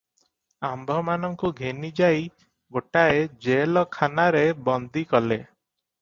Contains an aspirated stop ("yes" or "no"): yes